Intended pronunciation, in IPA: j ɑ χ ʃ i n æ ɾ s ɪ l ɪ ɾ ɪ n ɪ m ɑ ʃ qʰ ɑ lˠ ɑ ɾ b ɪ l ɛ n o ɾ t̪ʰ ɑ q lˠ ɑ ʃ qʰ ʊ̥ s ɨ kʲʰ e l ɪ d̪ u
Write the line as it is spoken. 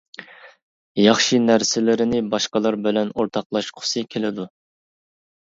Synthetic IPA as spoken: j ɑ χ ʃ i n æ ɾ s ɪ l ɪ ɾ ɪ n ɪ b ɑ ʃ q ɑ lˠ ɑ ɾ b ɪ l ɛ n o ɾ t̪ʰ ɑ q lˠ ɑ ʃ qʰ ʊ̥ s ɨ kʲʰ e l ɪ d̪ u